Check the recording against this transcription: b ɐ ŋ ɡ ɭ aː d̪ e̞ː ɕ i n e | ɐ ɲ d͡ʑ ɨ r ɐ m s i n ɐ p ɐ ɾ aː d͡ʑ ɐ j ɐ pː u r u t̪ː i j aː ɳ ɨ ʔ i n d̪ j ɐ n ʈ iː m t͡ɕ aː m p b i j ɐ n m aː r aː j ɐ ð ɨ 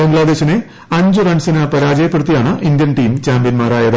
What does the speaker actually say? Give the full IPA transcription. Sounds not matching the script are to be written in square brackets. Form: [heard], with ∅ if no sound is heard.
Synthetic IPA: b ɐ ŋ ɡ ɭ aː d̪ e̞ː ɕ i n e | ɐ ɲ d͡ʑ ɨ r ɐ [ɳ] s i n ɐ p ɐ ɾ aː d͡ʑ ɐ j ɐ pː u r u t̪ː i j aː ɳ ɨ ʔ i n d̪ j ɐ n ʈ iː m t͡ɕ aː m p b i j ɐ n m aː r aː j ɐ ð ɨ

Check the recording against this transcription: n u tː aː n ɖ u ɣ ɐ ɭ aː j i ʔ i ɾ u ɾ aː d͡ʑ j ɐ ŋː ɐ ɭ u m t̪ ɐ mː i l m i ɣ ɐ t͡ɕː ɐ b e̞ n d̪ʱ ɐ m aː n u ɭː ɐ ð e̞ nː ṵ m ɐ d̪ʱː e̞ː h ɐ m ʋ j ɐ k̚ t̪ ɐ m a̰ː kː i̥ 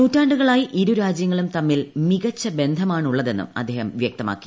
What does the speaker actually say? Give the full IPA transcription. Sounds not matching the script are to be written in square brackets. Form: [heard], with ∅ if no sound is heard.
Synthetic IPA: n [uː] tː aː [ɳ] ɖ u ɣ ɐ ɭ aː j i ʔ i ɾ u ɾ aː d͡ʑ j ɐ ŋː ɐ ɭ u m t̪ ɐ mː i l m i ɣ ɐ t͡ɕː ɐ b e̞ n d̪ʱ ɐ m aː [ɳ] u ɭː ɐ ð e̞ nː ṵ m ɐ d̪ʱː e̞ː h ɐ m ʋ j ɐ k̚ t̪ ɐ m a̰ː kː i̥

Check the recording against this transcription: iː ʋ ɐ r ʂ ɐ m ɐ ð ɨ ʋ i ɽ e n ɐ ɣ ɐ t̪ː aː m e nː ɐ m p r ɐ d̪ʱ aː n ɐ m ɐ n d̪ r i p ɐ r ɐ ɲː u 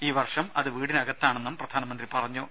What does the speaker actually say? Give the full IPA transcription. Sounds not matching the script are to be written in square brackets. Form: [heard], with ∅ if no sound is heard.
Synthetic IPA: iː ʋ ɐ r ʂ ɐ m ɐ ð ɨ ʋ [iː] ɽ [i] n ɐ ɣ ɐ t̪ː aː [ɳ] e nː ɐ m p r ɐ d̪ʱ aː n ɐ m ɐ n d̪ r i p ɐ r ɐ ɲː u

